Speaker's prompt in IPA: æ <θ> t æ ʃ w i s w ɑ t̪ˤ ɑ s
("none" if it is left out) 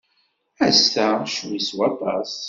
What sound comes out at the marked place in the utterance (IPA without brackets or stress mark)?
s